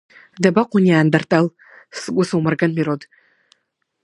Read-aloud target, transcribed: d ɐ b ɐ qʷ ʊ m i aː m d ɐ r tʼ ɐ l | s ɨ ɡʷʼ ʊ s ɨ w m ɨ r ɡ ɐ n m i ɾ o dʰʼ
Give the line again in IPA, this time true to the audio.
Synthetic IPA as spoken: d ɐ b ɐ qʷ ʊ n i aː n d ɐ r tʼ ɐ l | s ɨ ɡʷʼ ʊ s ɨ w m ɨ r ɡ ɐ n m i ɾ o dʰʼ